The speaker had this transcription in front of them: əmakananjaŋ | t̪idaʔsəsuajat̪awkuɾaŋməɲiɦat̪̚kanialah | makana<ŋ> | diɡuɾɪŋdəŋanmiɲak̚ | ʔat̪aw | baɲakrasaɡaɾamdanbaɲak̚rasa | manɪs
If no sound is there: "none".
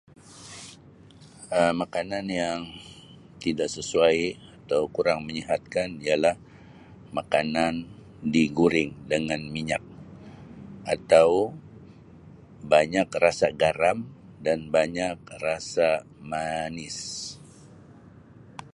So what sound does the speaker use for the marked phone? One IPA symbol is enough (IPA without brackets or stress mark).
n